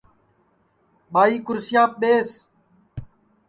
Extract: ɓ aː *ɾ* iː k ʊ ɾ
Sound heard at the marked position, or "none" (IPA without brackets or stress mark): none